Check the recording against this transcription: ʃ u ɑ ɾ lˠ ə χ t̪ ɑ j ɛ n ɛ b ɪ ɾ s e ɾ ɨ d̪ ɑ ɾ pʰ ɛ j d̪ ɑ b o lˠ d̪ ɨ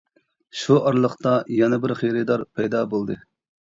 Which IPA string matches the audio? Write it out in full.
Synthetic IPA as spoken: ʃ u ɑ ɾ lˠ ə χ t̪ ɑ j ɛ n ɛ b ɪ ɾ χ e ɾ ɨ d̪ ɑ ɾ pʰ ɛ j d̪ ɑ b o lˠ d̪ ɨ